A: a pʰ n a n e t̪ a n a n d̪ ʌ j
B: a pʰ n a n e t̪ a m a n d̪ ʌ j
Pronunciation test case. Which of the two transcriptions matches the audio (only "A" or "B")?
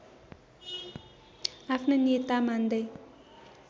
B